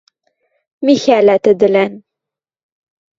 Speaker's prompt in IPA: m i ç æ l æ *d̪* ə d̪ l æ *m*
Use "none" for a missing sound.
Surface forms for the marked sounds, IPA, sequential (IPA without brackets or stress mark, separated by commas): t̪, n